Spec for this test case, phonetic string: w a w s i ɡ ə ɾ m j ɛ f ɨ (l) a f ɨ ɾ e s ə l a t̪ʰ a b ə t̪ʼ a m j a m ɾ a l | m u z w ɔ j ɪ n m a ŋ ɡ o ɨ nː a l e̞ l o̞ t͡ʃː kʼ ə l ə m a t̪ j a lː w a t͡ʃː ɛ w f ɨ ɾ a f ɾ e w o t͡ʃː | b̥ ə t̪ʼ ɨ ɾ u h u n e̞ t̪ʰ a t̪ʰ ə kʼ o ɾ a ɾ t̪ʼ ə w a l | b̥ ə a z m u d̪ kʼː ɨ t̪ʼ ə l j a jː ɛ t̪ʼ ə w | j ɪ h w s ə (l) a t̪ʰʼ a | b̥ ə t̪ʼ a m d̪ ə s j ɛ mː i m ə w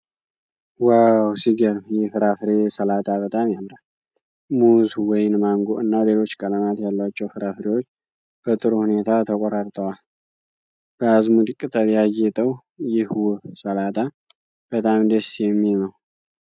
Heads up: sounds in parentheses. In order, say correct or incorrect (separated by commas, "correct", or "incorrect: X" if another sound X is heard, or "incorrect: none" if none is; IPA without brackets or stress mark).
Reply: incorrect: ɾ, correct